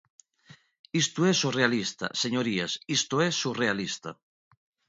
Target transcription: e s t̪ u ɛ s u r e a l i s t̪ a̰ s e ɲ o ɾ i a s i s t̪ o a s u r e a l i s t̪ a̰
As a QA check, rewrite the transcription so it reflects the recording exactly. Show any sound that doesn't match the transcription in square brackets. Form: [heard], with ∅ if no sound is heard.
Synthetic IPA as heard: [i] s t̪ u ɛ s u r e a l i s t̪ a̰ s e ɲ o ɾ i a s i s t̪ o [ɛ] s u r e a l i s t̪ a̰